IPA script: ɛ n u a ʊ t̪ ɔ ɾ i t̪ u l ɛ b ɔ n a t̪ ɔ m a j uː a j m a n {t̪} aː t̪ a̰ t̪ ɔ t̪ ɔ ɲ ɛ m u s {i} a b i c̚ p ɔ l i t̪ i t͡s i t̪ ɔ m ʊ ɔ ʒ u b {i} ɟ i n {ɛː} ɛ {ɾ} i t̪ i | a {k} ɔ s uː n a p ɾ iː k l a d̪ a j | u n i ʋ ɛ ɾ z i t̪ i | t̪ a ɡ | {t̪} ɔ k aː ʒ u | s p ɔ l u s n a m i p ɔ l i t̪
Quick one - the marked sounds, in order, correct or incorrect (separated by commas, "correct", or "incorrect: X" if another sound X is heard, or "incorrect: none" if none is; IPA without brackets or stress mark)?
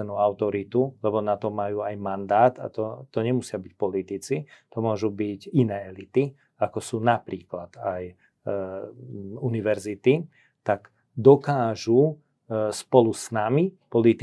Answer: incorrect: d̪, incorrect: ɪ, correct, correct, incorrect: l, correct, incorrect: d̪